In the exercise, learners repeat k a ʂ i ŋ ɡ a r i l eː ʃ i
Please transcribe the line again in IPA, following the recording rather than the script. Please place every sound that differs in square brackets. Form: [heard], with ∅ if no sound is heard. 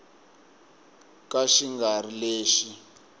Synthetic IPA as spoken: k a [ʃ] i ŋ ɡ a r i l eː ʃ i